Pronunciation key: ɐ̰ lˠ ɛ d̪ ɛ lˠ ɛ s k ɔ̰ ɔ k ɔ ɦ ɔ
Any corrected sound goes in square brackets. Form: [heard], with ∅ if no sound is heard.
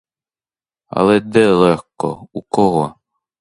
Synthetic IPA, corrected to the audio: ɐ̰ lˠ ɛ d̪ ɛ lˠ ɛ [x] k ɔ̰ [u] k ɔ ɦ ɔ

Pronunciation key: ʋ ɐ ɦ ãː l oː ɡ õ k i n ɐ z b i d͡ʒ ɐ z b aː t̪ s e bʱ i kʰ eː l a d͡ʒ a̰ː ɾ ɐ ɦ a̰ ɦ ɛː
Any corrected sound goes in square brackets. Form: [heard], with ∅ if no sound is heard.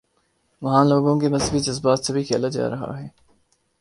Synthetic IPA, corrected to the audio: ʋ ɐ ɦ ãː l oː ɡ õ k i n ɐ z b i d͡ʒ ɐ z b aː t̪ s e bʱ i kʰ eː l a d͡ʒ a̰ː ɾ ɐ ɦ a̰ ɦ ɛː

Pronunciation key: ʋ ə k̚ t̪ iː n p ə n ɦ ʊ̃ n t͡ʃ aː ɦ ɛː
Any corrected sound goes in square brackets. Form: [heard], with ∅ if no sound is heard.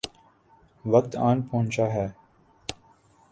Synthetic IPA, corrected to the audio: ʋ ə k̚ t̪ [aː] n p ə [∅] ɦ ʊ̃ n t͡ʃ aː ɦ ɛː

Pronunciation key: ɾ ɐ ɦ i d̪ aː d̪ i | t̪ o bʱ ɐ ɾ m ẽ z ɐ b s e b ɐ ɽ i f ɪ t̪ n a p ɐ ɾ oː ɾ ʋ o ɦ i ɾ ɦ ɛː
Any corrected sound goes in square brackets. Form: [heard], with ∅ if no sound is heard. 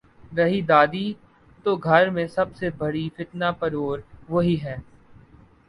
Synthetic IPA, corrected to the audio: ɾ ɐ ɦ i d̪ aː d̪ i | t̪ o [ɡʱ] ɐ ɾ m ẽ [s] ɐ b s e b ɐ ɽ i f ɪ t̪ n a p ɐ ɾ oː ɾ ʋ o ɦ i [∅] ɦ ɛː

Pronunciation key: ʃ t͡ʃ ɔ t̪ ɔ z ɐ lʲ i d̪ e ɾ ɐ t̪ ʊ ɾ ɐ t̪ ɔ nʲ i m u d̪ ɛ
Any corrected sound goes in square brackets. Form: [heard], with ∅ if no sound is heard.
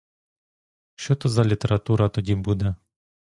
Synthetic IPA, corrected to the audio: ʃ t͡ʃ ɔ t̪ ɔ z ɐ lʲ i [t̪] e ɾ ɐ t̪ [u] ɾ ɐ t̪ ɔ [dʲ] i [b] u d̪ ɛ

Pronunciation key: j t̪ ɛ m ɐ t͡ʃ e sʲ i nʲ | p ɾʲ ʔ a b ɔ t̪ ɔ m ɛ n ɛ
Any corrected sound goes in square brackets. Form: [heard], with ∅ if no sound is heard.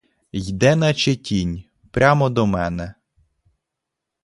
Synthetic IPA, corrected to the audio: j [d̪] ɛ [n] ɐ t͡ʃ e [tʲ] i nʲ | p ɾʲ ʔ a [m] ɔ [d̪] ɔ m ɛ n ɛ

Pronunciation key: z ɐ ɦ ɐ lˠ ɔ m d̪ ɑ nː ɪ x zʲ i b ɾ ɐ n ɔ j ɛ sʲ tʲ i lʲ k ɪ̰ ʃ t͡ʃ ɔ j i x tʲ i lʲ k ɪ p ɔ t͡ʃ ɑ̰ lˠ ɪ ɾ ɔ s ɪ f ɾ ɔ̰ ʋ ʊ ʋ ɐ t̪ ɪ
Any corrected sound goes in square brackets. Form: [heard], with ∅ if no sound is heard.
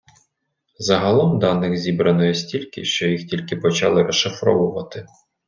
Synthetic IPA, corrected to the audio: z ɐ ɦ ɐ lˠ ɔ m d̪ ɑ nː ɪ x zʲ i b ɾ ɐ n ɔ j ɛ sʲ tʲ i lʲ k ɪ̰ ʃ t͡ʃ ɔ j i x tʲ i lʲ k ɪ p ɔ t͡ʃ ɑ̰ lˠ ɪ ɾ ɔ [ʃ] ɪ f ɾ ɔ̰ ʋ ʊ ʋ ɐ t̪ ɪ

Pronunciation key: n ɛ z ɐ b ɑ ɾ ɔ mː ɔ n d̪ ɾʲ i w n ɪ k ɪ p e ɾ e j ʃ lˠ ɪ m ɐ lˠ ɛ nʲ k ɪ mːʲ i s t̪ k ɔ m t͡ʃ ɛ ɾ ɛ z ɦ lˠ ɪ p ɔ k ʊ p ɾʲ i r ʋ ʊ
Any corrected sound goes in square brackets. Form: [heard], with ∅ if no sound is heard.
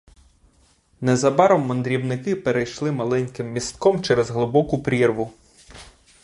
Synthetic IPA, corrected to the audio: n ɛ z ɐ b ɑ ɾ ɔ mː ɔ n d̪ ɾʲ i w n ɪ k ɪ p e ɾ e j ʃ lˠ ɪ m ɐ lˠ ɛ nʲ k ɪ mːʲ i s t̪ k ɔ m t͡ʃ ɛ ɾ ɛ z ɦ lˠ ɪ [b] ɔ k ʊ p ɾʲ i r ʋ ʊ

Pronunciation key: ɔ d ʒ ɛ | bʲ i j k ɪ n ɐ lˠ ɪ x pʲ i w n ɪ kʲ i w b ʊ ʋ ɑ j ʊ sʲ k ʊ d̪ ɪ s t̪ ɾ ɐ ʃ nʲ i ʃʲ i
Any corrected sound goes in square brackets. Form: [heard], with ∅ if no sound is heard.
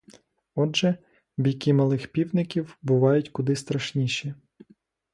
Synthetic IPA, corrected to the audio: ɔ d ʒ ɛ | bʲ i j k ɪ [m] ɐ lˠ ɪ x pʲ i w n ɪ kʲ i w b ʊ ʋ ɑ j ʊ [tʲ] k ʊ d̪ ɪ s t̪ ɾ ɐ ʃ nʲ i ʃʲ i

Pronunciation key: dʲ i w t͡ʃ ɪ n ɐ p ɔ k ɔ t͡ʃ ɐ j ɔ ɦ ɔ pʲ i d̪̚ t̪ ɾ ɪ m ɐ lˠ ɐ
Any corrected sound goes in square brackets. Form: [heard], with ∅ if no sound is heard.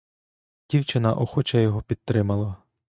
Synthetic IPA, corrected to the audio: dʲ i w t͡ʃ ɪ n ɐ [ʔ] ɔ [x] ɔ t͡ʃ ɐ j ɔ ɦ ɔ pʲ i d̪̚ t̪ ɾ ɪ m ɐ lˠ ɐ

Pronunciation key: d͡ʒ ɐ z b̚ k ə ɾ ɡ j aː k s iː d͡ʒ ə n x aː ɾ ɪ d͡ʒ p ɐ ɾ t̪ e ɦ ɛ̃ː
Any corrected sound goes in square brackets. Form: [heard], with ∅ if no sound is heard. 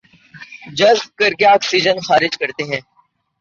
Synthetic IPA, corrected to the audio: d͡ʒ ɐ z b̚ k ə ɾ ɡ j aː k s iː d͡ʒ ə n x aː ɾ ɪ d͡ʒ [k] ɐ ɾ t̪ e ɦ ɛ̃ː

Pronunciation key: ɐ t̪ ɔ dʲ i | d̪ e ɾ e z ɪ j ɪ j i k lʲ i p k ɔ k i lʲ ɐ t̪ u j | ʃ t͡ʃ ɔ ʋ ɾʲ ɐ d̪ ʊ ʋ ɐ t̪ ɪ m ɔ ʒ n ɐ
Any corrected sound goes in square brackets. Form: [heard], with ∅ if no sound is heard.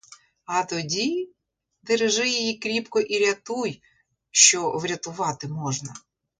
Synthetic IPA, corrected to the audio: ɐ t̪ ɔ dʲ i | d̪ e ɾ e [ʒ] ɪ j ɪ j i k [ɾʲ] i p k ɔ [ʔ] i [ɾʲ] ɐ t̪ u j | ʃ t͡ʃ ɔ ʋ ɾʲ ɐ [t̪] ʊ ʋ [ɑ] t̪ ɪ m ɔ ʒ n ɐ

